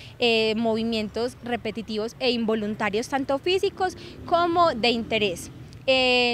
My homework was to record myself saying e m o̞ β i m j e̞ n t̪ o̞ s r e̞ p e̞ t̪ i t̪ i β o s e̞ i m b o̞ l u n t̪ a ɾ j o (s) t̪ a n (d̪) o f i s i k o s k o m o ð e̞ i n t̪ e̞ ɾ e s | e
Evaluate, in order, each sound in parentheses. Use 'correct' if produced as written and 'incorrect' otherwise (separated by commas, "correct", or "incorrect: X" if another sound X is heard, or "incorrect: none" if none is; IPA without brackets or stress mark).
correct, incorrect: t̪